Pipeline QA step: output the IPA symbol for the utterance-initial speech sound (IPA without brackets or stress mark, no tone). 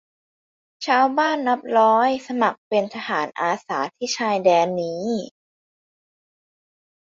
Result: t͡ɕʰ